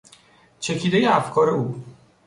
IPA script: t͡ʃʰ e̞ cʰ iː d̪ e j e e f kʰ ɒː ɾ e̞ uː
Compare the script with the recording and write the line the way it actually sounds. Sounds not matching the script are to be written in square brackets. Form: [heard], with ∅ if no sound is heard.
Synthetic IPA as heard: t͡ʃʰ e̞ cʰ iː d̪ e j e [æ] f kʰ ɒː ɾ e̞ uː